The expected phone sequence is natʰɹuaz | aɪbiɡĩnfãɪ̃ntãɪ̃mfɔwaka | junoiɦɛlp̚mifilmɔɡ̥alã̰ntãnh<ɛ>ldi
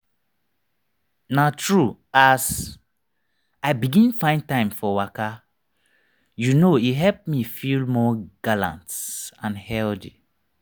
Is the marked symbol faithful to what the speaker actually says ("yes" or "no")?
yes